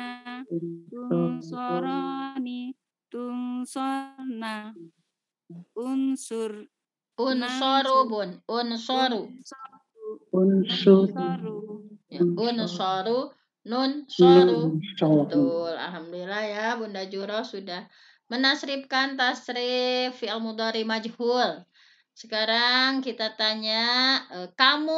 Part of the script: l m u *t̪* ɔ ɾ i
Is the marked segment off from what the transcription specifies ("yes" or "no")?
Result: yes